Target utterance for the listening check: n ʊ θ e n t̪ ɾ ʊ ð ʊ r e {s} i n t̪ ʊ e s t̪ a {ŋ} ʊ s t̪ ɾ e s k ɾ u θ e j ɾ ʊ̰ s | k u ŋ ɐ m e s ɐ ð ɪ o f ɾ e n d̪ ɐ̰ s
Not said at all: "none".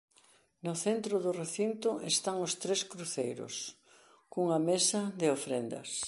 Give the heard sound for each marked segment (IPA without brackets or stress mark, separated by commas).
θ, ŋ